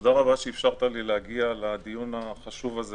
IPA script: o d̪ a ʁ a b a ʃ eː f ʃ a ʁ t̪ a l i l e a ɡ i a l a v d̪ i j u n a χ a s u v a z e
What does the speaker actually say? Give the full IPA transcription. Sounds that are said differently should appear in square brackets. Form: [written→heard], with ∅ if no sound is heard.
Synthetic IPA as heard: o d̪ a ʁ a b a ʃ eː f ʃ a ʁ t̪ a l i l e a ɡ i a l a [v→∅] d̪ i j u n a χ a [s→ʃ] u v a z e